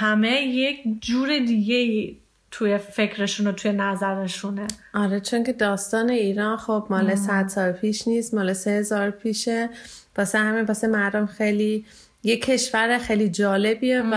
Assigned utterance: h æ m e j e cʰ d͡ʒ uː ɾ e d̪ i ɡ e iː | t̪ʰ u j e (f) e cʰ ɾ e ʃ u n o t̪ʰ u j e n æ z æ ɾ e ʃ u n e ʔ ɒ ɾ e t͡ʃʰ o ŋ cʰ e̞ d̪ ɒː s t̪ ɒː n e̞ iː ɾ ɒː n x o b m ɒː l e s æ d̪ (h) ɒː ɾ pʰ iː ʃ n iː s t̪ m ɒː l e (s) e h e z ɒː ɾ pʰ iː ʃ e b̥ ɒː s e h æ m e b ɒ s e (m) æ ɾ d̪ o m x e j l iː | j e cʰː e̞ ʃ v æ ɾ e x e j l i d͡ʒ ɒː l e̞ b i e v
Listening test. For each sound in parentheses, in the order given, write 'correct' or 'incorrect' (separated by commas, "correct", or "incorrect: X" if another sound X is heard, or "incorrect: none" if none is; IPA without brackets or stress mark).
correct, incorrect: s, correct, correct